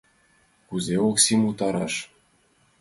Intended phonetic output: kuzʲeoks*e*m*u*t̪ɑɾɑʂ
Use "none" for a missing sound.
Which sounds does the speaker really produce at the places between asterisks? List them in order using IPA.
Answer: i, u

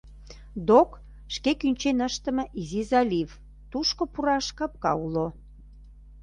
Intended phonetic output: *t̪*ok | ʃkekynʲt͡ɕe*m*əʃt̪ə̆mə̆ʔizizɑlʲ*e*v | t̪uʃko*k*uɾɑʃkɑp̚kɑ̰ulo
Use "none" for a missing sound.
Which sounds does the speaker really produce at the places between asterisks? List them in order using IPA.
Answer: d̪, n, i, p

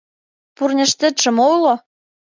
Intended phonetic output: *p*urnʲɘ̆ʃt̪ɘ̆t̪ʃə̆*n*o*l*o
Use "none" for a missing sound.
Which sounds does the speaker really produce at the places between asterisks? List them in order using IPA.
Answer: p, m, l

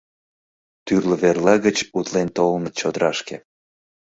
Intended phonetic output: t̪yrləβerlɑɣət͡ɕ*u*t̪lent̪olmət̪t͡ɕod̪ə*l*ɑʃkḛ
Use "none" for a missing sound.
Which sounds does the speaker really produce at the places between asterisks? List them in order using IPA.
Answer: u, ɾ

